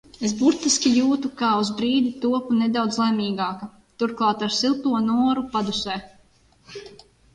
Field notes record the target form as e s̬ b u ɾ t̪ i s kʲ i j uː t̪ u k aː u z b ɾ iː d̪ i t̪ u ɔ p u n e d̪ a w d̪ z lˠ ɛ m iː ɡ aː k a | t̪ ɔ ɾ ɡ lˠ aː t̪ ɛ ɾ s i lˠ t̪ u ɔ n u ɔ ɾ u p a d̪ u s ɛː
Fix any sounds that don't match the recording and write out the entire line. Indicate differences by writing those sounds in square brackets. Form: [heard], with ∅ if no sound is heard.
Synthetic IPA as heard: e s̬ b u ɾ t̪ i s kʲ i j uː t̪ u k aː u z b ɾ iː d̪ i t̪ u ɔ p u n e d̪ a w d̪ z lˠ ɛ m iː ɡ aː k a | t̪ [u] ɾ [k] lˠ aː t̪ [a] ɾ s i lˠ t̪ u ɔ n u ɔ ɾ u p a d̪ u s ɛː